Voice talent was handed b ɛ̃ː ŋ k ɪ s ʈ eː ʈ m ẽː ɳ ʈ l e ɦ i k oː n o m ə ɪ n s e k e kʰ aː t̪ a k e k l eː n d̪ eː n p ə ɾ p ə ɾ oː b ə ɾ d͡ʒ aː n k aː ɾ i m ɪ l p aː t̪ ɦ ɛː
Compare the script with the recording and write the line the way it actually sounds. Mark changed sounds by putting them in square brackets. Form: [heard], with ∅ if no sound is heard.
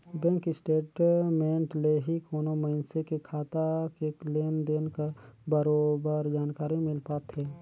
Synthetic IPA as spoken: b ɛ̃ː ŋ k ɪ s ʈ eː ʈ m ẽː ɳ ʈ l e ɦ i k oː n o m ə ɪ n s e k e kʰ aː t̪ a k e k l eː n d̪ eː n [k] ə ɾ [b] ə ɾ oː b ə ɾ d͡ʒ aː n k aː ɾ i m ɪ l p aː t̪ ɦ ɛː